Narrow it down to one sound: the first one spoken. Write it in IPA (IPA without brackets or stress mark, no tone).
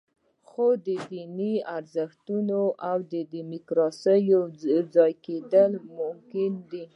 x